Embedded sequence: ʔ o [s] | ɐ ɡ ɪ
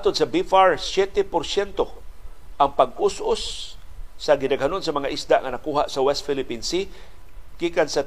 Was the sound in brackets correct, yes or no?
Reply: no